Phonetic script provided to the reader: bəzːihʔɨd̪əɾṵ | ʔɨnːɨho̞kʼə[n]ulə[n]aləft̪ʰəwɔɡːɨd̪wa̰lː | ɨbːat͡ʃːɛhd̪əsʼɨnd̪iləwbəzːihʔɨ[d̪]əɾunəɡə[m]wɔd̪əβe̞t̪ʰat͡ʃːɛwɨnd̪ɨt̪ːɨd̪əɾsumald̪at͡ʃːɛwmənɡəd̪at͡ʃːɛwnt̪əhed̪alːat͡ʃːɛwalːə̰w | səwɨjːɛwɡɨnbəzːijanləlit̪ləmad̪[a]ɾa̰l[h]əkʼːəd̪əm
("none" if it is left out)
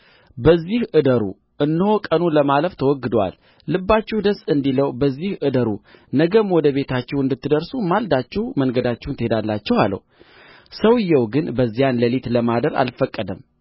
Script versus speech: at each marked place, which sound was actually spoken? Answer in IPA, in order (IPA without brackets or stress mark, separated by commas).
n, m, d̪, m, ə, f